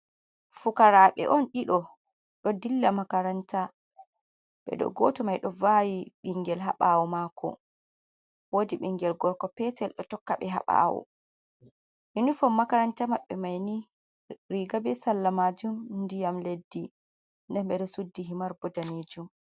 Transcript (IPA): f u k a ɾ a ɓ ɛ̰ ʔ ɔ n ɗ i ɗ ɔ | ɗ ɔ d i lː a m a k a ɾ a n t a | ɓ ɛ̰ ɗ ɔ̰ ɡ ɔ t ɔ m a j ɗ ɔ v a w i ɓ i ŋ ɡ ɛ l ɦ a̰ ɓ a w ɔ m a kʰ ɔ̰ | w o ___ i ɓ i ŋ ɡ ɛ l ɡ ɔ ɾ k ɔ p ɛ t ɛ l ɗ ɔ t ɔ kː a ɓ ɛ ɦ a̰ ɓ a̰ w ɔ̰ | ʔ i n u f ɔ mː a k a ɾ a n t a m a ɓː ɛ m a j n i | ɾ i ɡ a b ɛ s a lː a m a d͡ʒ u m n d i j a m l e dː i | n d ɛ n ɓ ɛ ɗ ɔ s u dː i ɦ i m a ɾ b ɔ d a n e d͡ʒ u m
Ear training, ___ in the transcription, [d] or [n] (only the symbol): d